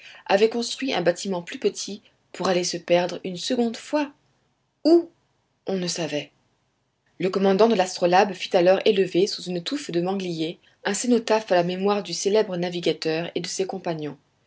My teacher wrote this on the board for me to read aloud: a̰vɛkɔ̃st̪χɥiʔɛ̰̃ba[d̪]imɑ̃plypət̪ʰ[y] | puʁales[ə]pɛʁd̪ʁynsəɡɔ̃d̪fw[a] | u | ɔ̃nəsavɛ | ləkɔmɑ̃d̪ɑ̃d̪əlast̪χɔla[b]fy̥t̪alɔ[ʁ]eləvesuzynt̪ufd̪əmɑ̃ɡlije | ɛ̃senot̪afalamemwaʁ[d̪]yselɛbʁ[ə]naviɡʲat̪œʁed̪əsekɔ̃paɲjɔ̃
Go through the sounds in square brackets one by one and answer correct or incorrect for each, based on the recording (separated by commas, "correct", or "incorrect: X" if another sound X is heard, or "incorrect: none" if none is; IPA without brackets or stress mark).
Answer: incorrect: t̪, incorrect: i, correct, correct, correct, correct, correct, correct